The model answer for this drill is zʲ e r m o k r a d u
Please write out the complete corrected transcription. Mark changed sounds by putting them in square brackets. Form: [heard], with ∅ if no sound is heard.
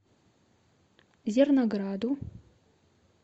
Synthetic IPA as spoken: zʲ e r [n] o [ɡ] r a d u